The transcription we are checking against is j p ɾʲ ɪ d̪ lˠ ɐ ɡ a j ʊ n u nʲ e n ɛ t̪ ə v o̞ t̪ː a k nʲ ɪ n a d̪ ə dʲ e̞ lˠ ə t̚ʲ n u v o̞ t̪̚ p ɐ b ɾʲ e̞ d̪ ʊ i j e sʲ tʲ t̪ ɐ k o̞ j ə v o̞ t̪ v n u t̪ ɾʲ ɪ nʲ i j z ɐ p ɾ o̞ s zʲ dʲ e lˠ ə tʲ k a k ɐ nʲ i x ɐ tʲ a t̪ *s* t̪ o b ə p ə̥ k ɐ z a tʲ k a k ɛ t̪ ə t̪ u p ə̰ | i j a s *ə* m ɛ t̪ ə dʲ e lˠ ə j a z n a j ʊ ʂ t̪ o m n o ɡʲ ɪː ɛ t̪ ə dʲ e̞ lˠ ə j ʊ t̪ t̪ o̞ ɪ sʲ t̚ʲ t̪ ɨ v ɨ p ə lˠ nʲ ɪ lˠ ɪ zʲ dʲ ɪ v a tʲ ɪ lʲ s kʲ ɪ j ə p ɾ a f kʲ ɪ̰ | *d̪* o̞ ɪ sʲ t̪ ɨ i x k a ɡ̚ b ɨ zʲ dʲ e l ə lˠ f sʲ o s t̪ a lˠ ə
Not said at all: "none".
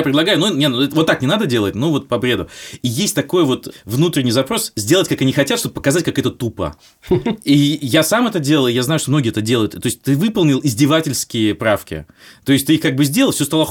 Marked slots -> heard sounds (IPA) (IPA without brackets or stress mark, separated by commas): ʂ, a, t̪